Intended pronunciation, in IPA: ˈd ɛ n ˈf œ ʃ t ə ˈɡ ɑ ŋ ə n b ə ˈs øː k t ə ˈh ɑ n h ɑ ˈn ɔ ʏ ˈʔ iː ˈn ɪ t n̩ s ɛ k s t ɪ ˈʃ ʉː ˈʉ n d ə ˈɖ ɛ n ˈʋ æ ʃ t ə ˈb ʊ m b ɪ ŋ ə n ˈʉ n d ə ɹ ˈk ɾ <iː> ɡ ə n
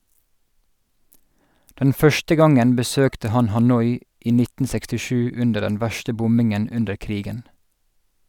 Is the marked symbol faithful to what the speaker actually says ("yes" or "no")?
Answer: yes